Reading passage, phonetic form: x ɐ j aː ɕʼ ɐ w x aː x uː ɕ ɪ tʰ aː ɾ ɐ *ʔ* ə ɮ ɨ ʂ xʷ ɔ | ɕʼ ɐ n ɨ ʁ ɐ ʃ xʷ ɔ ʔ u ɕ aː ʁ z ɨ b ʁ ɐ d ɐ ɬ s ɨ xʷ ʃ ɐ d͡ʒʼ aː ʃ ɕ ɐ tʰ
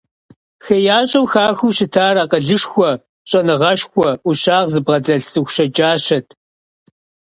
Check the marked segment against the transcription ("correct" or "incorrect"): incorrect